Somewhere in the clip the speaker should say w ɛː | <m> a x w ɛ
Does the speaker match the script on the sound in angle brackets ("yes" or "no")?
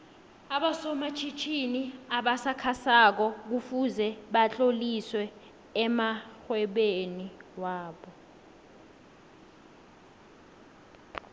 yes